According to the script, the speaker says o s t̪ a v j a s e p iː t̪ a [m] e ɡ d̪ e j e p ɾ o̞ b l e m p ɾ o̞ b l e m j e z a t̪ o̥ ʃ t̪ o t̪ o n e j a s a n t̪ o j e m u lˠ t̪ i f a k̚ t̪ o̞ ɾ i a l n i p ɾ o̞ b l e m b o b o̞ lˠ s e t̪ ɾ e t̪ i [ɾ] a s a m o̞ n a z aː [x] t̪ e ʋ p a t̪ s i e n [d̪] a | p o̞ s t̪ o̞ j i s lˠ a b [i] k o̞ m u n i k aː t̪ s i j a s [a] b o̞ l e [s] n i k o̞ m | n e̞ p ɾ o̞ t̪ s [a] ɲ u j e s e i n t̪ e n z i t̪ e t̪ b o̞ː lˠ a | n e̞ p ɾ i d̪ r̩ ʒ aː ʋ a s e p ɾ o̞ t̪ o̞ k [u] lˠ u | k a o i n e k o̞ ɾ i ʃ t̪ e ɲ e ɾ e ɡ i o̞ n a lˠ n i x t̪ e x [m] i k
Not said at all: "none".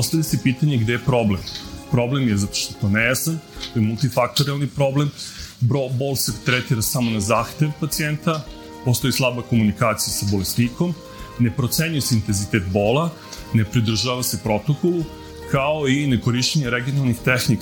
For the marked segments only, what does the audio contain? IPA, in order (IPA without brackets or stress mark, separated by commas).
ɲ, ɾ, x, t̪, a, a, s, e, o, n